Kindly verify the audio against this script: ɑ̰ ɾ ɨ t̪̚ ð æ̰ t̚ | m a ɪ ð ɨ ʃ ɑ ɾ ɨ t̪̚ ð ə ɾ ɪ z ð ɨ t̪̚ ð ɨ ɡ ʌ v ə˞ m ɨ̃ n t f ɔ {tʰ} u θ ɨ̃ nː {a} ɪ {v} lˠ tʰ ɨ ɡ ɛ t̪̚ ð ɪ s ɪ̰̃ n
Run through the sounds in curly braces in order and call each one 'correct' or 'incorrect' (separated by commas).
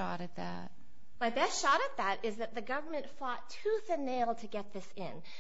correct, incorrect, incorrect